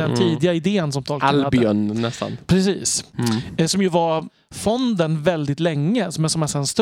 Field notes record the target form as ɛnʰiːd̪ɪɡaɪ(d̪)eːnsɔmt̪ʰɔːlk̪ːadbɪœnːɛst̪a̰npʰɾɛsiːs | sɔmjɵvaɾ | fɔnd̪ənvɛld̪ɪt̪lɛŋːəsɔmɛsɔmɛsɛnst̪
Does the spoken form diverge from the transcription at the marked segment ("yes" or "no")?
no